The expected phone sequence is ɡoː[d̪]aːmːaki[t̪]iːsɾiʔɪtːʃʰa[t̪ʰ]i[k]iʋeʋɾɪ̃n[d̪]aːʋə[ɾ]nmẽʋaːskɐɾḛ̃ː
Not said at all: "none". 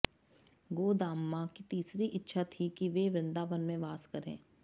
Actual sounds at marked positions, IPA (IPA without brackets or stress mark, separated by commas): d̪, t̪, t̪ʰ, k, d̪, none